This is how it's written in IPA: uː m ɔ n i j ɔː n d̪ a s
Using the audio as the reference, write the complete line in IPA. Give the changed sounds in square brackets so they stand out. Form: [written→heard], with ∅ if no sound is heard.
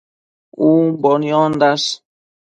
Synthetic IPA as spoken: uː [m→b] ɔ n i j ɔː n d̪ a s